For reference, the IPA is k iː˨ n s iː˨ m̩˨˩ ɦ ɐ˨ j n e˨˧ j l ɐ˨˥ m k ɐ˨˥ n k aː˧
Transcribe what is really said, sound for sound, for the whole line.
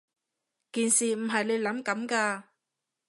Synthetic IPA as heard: k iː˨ n s iː˨ m̩˨˩ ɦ ɐ˨ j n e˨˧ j l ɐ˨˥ m k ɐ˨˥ m k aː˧